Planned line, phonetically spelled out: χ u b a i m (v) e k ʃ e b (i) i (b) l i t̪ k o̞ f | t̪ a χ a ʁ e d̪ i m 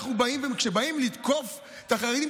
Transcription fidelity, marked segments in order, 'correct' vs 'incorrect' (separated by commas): correct, incorrect, incorrect